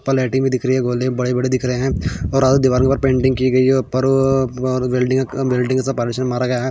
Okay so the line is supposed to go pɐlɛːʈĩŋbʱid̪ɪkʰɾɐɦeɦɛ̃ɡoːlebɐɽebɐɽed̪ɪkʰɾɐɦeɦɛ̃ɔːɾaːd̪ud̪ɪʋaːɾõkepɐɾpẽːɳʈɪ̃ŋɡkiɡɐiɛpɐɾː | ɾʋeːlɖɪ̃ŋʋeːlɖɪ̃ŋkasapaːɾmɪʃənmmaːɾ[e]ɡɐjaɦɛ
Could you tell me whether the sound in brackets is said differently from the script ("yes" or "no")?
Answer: yes